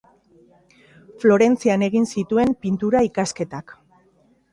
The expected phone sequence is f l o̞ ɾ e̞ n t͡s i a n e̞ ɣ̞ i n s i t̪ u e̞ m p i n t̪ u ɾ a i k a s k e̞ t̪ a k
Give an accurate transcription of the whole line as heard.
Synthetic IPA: f l o̞ ɾ e̞ n t͡s i a n e̞ ɣ̞ i n s i t̪ u e̞ m p i n t̪ u ɾ a i k a s k e̞ t̪ a k